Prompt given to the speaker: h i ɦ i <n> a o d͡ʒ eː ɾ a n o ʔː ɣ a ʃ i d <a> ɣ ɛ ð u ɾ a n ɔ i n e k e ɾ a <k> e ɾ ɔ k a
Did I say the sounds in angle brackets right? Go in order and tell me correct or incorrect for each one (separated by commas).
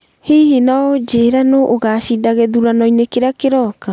correct, correct, correct